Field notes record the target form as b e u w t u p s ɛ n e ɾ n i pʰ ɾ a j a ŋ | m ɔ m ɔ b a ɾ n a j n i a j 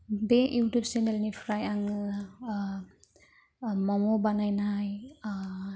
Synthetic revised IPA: b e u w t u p s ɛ n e l n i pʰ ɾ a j a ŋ | m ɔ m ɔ b a n a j n a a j